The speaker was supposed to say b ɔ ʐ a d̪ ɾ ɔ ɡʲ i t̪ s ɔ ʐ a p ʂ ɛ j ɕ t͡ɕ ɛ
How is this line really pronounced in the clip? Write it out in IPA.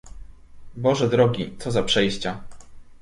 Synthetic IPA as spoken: b ɔ ʐ ɛ d̪ ɾ ɔ ɡʲ i t̪ s ɔ z a p ʂ ɛ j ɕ t͡ɕ a